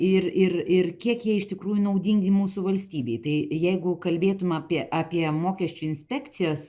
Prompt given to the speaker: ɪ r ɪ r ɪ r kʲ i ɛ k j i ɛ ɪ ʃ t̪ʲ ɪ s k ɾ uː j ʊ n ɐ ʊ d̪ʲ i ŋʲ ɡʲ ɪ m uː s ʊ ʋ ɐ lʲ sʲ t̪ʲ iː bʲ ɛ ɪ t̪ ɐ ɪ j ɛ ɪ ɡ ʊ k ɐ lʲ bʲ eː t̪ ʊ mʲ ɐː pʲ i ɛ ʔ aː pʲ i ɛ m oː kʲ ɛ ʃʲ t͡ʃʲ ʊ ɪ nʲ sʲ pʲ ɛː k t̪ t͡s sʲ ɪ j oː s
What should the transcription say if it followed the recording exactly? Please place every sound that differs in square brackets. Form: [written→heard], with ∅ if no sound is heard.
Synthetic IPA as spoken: ɪ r ɪ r ɪ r kʲ i ɛ k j i ɛ ɪ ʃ t̪ʲ ɪ [s→∅] k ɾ uː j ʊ n ɐ ʊ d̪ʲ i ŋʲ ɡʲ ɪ m uː s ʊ ʋ ɐ lʲ sʲ t̪ʲ iː bʲ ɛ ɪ t̪ ɐ ɪ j ɛ ɪ ɡ ʊ k ɐ lʲ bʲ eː t̪ ʊ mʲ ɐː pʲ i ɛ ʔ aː pʲ i ɛ m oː kʲ ɛ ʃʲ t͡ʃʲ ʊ ɪ nʲ sʲ pʲ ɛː k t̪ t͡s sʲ ɪ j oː s